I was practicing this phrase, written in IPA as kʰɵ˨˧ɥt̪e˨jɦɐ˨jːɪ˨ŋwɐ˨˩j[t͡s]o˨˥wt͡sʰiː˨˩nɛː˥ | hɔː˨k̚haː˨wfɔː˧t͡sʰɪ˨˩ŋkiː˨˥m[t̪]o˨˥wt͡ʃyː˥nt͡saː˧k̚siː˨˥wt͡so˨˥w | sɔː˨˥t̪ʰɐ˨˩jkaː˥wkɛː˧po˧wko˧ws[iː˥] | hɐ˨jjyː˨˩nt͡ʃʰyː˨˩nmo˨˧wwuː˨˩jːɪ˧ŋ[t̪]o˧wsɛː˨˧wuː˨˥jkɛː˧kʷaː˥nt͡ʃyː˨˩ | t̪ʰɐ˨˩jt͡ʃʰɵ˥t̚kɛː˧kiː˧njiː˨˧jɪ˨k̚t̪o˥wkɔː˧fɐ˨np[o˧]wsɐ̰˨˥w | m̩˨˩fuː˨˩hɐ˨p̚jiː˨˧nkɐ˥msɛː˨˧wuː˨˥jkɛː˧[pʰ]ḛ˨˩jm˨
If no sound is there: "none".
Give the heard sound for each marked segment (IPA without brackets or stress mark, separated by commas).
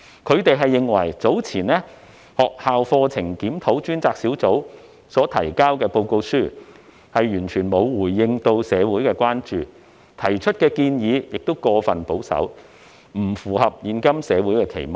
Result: t͡s, t̪ʰ, yː˥, t̪, o˨˥, kʰ